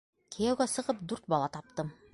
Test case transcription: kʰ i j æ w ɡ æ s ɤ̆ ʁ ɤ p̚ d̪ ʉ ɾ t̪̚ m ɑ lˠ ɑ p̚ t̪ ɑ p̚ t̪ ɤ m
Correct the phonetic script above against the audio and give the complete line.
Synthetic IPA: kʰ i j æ w ɡ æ s ɤ̆ ʁ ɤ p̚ d̪ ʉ ɾ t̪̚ b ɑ lˠ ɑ t̪ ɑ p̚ t̪ ɤ m